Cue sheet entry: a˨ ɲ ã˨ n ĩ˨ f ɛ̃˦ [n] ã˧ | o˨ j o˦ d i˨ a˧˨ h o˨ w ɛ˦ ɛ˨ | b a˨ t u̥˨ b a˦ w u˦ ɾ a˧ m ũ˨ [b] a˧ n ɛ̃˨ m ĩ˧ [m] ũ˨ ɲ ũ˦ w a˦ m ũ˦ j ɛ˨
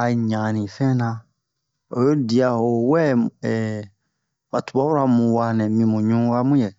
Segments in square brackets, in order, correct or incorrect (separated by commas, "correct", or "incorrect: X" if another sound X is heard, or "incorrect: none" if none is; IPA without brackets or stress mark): correct, incorrect: w, correct